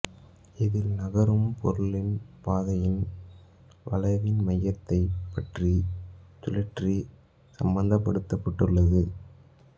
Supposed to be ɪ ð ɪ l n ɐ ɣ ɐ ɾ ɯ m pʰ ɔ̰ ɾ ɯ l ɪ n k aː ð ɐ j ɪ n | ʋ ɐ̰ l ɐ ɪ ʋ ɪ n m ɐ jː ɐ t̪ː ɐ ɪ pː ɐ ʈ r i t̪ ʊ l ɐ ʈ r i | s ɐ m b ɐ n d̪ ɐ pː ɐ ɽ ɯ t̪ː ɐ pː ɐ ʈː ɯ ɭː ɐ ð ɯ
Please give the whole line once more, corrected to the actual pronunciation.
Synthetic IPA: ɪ ð ɪ l n ɐ ɣ ɐ ɾ ɯ m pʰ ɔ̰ ɾ ɯ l ɪ n p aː ð ɐ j ɪ n | ʋ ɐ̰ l ɐ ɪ ʋ ɪ n m ɐ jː ɐ t̪ː ɐ ɪ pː ɐ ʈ r i t̪ ʊ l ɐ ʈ r i | s ɐ m b ɐ n d̪ ɐ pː ɐ ɽ ɯ t̪ː ɐ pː ɐ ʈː ɯ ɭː ɐ ð ɯ